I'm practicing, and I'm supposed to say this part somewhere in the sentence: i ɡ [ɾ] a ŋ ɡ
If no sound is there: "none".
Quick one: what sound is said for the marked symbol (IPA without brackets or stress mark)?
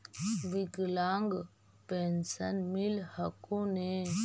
l